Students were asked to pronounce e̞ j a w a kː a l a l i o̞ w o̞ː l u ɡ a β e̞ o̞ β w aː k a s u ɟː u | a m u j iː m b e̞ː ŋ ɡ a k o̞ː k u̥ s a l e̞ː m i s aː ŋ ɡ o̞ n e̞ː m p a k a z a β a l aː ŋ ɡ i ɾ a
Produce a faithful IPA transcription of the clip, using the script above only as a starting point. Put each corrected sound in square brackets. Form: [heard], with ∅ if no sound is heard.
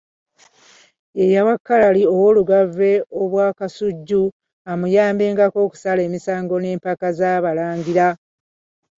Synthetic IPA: e̞ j a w a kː a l a l i o̞ w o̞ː l u ɡ a [v] e̞ o̞ β w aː k a s u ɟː u | a m u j [aː] m b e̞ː ŋ ɡ a k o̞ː k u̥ s a l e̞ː m i s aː ŋ ɡ o̞ n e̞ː m p a k a z a β a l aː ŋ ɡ i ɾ a

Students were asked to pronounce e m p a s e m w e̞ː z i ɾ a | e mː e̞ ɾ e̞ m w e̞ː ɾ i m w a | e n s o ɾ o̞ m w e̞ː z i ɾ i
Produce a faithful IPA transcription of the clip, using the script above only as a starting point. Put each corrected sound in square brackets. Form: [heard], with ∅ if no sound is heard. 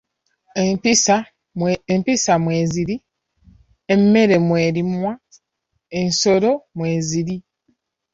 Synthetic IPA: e m p [i] s [a] m w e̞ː z i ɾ [i] | e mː e̞ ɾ e̞ m w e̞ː ɾ i m w a | e n s o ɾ o̞ m w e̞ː z i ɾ i

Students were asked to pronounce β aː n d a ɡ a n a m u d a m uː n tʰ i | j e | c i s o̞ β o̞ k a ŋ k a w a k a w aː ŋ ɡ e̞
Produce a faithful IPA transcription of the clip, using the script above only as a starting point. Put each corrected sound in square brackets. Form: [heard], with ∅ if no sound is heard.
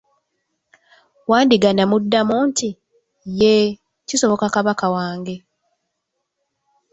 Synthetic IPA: [w] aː n d [i] ɡ a n a m u [dː] a m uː n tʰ i | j e | c i s o̞ β o̞ k a [∅] k a [β] a k a w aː ŋ ɡ e̞

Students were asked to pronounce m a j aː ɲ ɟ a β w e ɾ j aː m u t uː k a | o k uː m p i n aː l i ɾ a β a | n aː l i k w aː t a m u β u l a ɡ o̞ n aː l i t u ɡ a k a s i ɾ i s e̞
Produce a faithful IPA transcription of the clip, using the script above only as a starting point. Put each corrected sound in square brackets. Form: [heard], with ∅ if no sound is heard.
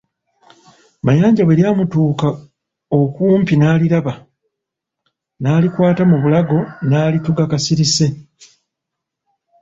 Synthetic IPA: m a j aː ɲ ɟ a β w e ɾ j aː m u t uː k a | o k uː m p i n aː l i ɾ a β a | n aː l i k w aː t a m u β u l a ɡ o̞ n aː l i t u ɡ a k a s i ɾ i s e̞

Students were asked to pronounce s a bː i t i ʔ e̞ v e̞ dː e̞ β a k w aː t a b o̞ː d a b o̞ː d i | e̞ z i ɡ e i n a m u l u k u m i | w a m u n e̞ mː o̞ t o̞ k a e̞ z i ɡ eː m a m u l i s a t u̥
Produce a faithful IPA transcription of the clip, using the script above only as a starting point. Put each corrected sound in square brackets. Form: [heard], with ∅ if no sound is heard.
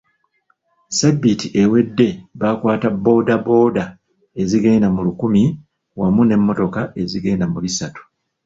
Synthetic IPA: s a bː i t i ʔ e̞ [w] e̞ dː e̞ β a k w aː t a b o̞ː d a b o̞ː d [a] | e̞ z i ɡ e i n a m u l u k u m i | w a m u n e̞ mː o̞ t o̞ k a e̞ z i ɡ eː [n] a m u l i s a t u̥

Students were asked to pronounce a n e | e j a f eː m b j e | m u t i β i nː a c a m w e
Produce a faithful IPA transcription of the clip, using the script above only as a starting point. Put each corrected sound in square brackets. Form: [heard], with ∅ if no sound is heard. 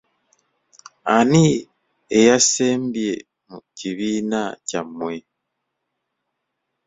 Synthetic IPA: a n [i] | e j a [s] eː m b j e | m u [c] i β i [n] a c a m w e

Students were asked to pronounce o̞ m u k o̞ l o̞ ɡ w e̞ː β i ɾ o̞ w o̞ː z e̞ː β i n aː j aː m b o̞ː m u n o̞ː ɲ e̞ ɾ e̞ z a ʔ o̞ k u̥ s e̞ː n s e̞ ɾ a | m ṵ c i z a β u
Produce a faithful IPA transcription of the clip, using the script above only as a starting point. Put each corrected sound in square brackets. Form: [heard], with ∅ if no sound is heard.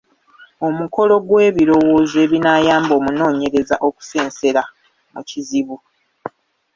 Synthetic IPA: o̞ m u k o̞ l o̞ ɡ w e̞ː β i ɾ o̞ w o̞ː z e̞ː β i n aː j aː m b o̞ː m u n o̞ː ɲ e̞ ɾ e̞ z a ʔ o̞ k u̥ s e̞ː n s e̞ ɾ a | m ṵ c i z [i] β u

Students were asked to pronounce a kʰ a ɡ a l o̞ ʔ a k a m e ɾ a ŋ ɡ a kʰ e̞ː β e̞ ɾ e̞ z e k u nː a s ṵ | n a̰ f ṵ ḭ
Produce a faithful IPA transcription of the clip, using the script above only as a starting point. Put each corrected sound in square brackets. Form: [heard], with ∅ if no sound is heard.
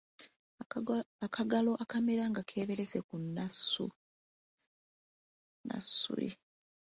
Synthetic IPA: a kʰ a ɡ a l o̞ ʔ a k a m e ɾ a ŋ ɡ a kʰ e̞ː β e̞ ɾ e̞ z e k u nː a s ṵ | n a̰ [s] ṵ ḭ

